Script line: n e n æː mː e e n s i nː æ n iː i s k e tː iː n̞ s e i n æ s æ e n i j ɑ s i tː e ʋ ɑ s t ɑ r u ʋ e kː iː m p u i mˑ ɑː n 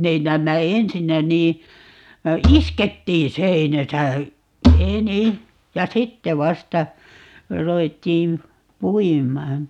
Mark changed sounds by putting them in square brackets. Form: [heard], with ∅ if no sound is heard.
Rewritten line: n e n æː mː [æ] e n s i nː æ n iː i s k e tː iː n̞ s e i n æ s æ e n i j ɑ s i tː e ʋ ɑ s t ɑ r u ʋ e [tː] iː m p u i mˑ ɑː n